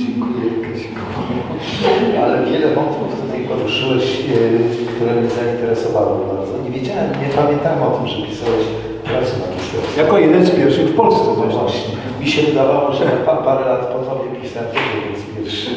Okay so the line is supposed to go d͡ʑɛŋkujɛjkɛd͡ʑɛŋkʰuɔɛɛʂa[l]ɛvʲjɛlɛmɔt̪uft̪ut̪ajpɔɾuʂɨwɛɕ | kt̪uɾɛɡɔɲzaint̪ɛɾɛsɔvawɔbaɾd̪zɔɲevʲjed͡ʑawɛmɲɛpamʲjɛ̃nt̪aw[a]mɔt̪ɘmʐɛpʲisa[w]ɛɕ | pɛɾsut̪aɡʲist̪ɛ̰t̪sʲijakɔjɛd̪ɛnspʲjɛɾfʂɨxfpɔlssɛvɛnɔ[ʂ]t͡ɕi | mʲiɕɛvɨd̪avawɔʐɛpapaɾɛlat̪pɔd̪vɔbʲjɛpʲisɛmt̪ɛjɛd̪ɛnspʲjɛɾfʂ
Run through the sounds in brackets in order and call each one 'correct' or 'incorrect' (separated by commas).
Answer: correct, incorrect, correct, incorrect